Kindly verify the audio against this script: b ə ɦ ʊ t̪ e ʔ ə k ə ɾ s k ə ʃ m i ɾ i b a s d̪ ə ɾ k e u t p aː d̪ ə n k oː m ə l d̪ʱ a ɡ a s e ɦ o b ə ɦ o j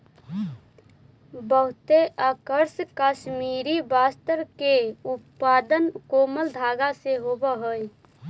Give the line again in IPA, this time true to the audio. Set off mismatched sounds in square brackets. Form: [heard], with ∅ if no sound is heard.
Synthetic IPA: b ə ɦ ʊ t̪ e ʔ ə k ə ɾ s k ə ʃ m i ɾ i b a s [t̪] ə ɾ k e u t p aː d̪ ə n k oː m ə l d̪ʱ a ɡ a s e ɦ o b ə ɦ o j